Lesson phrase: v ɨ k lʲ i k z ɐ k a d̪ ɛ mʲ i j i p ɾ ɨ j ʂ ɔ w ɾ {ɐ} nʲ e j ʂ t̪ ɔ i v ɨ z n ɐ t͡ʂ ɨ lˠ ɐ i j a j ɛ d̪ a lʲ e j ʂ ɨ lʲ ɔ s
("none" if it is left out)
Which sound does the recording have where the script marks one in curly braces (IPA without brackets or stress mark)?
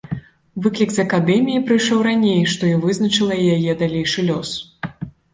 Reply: a